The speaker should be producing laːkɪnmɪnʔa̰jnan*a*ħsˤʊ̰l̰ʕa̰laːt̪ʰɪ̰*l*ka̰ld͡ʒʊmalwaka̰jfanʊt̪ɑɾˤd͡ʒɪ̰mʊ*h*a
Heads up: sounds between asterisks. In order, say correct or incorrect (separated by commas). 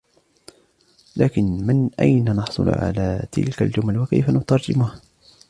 incorrect, correct, correct